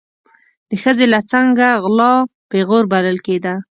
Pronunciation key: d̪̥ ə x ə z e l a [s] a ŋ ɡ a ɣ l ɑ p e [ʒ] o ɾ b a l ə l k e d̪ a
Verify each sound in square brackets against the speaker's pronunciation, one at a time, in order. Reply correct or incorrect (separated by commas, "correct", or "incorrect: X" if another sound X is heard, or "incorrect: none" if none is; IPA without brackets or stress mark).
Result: incorrect: t͡s, incorrect: ɣ